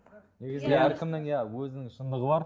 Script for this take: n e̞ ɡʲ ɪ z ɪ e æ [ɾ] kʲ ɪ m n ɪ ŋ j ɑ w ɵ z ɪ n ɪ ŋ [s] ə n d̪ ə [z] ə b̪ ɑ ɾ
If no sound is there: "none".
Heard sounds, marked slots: ɾ, ʃ, ʁ

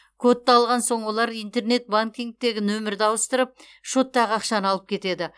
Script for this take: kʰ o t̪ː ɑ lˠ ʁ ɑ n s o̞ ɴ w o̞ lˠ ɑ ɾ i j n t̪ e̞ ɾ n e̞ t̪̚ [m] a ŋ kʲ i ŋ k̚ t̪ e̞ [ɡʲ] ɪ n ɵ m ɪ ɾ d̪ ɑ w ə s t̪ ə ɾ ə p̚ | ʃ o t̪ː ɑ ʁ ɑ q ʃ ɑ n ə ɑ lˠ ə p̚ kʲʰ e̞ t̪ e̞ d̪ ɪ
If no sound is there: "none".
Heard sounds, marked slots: b, ɡʲ

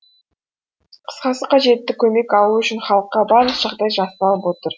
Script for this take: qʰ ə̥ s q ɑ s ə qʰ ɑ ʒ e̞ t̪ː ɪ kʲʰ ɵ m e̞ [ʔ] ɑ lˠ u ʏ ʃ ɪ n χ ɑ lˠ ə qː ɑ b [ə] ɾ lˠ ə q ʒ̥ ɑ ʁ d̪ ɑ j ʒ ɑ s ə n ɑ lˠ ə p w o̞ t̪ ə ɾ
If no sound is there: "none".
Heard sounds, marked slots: k, ɑ

